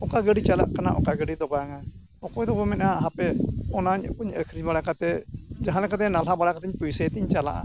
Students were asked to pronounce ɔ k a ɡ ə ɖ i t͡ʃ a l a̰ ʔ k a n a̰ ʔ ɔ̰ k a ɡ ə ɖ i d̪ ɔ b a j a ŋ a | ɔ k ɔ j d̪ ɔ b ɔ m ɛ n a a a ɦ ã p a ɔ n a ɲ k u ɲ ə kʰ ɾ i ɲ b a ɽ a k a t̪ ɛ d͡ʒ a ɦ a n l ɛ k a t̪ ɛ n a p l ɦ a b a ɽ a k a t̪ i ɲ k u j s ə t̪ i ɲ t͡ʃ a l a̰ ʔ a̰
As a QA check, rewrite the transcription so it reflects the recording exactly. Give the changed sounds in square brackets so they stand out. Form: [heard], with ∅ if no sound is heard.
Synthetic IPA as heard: ɔ k a ɡ ə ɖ i t͡ʃ a l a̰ ʔ k a n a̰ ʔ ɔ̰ k a ɡ ə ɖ i d̪ ɔ b a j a ŋ a | ɔ k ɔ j d̪ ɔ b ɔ m ɛ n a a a ɦ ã p [ɛ] ɔ n a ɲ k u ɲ ə kʰ ɾ i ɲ b a ɽ a k a t̪ ɛ d͡ʒ a ɦ a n l ɛ k a t̪ ɛ n a [∅] l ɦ a b a ɽ a k a t̪ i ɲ [p] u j s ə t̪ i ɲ t͡ʃ a l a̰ ʔ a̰